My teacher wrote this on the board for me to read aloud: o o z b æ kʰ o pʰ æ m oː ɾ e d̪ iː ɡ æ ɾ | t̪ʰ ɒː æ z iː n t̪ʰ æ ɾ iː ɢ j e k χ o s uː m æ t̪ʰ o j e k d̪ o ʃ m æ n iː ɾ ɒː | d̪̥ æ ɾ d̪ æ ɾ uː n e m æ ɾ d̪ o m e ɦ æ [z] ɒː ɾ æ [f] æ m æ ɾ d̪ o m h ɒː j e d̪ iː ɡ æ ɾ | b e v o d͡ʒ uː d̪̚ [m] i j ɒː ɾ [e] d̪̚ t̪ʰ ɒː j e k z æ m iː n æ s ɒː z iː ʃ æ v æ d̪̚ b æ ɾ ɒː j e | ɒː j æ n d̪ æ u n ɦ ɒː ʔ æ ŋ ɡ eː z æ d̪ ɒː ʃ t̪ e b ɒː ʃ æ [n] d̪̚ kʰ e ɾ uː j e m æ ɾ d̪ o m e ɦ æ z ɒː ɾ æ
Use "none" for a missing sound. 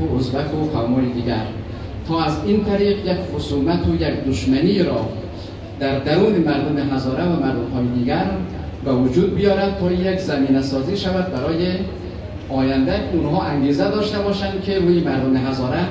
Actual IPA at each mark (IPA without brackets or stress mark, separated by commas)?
z, v, b, æ, n